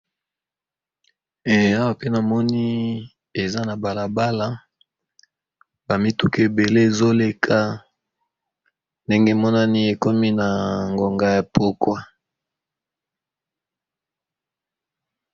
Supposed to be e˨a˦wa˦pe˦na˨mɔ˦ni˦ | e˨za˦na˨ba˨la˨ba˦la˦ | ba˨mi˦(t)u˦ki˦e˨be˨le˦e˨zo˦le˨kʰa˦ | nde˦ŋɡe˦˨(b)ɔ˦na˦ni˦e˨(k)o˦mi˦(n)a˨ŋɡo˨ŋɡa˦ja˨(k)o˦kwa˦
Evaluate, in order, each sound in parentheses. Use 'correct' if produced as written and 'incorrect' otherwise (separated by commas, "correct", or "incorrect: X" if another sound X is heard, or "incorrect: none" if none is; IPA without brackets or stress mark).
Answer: correct, incorrect: m, correct, correct, incorrect: p